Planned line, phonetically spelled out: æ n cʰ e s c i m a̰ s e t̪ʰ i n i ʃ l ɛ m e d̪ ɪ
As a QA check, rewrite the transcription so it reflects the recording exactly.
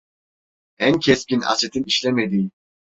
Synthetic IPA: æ n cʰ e s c i n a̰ s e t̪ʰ i n i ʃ l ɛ m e d̪ i